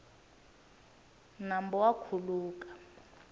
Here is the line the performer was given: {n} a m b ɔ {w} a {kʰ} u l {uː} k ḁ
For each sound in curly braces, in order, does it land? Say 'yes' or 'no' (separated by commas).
yes, yes, yes, yes